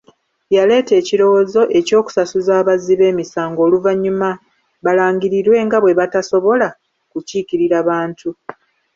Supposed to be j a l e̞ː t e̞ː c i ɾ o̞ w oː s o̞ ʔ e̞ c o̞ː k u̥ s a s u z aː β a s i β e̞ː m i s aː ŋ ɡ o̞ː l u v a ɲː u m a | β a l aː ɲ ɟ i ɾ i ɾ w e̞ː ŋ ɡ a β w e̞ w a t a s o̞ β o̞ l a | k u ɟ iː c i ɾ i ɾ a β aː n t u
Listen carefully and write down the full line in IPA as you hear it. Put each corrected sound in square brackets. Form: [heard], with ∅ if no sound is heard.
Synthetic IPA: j a l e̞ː t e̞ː c i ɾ o̞ w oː [z] o̞ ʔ e̞ c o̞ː k u̥ s a s u z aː β a [z] i β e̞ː m i s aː ŋ ɡ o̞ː l u v a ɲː u m a | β a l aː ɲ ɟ i ɾ i ɾ w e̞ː ŋ ɡ a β w e̞ [β] a t a s o̞ β o̞ l a | k u [c] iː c i ɾ i ɾ a β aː n t u